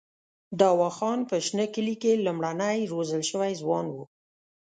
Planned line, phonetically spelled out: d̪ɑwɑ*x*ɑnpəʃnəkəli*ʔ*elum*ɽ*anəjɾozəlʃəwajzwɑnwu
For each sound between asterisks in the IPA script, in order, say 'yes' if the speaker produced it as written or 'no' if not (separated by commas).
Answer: yes, no, yes